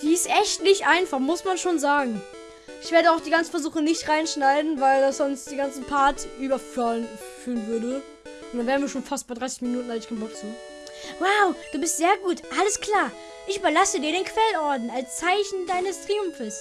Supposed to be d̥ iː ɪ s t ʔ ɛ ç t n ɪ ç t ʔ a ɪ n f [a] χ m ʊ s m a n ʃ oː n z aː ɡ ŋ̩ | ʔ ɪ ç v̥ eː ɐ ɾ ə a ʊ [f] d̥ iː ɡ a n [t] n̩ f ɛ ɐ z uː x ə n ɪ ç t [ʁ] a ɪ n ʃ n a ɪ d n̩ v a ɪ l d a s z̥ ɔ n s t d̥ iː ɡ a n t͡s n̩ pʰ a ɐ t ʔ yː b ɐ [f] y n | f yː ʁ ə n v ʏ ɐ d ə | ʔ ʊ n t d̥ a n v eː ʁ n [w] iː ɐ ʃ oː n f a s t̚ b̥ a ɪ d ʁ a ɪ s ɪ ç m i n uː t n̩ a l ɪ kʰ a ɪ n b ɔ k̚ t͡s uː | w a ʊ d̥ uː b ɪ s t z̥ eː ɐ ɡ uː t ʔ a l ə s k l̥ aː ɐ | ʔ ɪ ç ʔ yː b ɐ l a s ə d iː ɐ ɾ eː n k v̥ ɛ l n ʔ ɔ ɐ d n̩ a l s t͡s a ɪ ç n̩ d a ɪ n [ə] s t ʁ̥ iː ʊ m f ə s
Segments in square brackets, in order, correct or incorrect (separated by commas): correct, incorrect, incorrect, correct, correct, incorrect, correct